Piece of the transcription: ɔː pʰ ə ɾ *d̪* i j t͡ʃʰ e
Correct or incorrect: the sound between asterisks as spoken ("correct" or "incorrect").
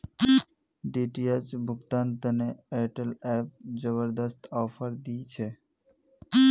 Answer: correct